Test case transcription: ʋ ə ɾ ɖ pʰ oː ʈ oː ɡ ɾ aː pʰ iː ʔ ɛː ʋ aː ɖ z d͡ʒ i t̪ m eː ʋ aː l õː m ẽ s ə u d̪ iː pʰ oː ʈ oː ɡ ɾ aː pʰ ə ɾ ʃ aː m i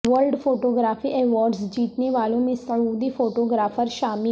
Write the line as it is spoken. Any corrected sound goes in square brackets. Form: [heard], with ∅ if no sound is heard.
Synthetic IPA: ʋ ə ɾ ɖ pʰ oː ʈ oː ɡ ɾ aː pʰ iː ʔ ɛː ʋ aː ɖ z d͡ʒ [iː] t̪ [n] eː ʋ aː l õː m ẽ s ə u d̪ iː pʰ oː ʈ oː ɡ ɾ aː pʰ ə ɾ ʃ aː m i